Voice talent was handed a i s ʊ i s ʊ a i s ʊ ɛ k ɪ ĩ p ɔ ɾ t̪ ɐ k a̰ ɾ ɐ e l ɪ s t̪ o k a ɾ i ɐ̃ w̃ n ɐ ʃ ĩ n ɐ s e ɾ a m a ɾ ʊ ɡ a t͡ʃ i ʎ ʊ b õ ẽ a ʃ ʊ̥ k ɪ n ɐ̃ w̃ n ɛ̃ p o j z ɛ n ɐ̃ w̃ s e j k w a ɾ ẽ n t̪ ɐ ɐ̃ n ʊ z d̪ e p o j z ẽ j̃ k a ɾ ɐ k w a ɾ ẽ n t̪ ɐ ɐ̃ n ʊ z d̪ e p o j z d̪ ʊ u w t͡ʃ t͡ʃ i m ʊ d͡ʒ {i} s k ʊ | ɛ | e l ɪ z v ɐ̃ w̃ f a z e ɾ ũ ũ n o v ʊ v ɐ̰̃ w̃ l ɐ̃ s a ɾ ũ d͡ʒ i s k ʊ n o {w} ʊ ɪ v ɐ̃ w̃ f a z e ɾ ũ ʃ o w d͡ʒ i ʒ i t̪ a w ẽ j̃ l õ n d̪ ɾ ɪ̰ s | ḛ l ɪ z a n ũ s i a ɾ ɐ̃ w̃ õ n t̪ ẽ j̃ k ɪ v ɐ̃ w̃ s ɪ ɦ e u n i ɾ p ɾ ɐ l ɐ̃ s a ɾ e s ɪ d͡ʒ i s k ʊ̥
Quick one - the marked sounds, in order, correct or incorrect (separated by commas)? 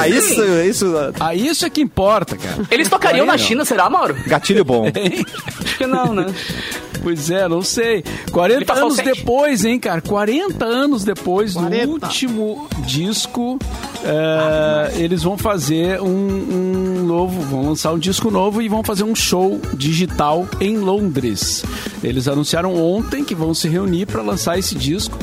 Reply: correct, incorrect